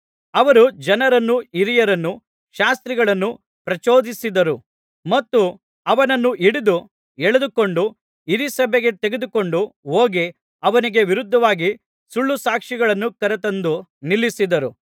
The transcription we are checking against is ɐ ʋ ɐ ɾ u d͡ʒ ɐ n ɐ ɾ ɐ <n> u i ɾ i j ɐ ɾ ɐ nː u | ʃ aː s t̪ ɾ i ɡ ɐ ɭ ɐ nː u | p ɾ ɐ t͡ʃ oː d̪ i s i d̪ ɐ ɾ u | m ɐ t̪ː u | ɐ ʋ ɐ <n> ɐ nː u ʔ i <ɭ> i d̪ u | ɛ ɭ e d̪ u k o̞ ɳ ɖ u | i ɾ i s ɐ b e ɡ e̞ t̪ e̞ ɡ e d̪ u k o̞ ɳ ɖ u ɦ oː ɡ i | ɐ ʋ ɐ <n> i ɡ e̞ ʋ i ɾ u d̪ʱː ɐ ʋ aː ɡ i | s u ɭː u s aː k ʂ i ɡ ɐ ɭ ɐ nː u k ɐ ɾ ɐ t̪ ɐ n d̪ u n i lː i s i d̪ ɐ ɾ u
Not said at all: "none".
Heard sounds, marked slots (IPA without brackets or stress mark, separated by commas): nː, n, ɽ, n